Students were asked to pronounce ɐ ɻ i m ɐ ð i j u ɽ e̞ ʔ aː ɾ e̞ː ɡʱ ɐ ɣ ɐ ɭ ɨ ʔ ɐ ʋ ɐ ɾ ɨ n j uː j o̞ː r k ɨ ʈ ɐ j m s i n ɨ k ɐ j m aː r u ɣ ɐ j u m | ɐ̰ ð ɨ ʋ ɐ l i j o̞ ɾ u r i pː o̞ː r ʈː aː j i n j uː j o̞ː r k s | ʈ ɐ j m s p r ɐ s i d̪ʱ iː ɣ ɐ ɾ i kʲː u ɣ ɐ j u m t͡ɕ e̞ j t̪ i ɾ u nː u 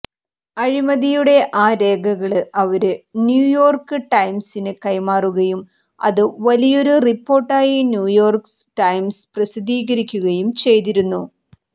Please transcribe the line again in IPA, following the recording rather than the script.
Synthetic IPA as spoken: ɐ ɻ i m ɐ ð i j u ɽ e̞ ʔ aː ɾ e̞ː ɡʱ ɐ ɣ ɐ ɭ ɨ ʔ ɐ ʋ ɐ ɾ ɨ n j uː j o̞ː r k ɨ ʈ ɐ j m s i n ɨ k ɐ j m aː r u ɣ ɐ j u m | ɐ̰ ð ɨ ʋ ɐ l i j o̞ ɾ u r i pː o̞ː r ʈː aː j i n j uː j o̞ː r k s | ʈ ɐ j m s p r ɐ s i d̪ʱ iː ɣ ɐ ɾ i kʲː u ɣ ɐ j u m t͡ɕ e̞ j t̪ i ɾ u nː u

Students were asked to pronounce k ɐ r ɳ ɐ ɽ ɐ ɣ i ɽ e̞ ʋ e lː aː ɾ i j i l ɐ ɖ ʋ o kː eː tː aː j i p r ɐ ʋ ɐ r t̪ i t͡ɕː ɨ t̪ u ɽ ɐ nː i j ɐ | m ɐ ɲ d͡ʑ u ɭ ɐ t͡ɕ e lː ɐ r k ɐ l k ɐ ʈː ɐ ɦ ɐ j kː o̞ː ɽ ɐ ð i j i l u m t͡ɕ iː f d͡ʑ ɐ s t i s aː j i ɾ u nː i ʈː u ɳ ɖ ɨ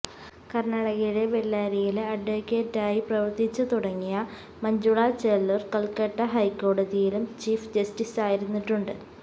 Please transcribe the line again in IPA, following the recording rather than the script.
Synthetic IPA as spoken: k ɐ r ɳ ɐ ɽ ɐ ɣ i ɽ e̞ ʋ e lː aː ɾ i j i l ɐ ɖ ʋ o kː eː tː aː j i p r ɐ ʋ ɐ r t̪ i t͡ɕː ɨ t̪ u ɽ ɐ ŋː i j ɐ | m ɐ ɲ d͡ʑ u ɭ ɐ t͡ɕ e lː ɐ r k ɐ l k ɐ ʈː ɐ ɦ ɐ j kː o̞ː ɽ ɐ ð i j i l u m t͡ɕ iː f d͡ʑ ɐ s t i s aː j i ɾ u nː i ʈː u ɳ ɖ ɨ

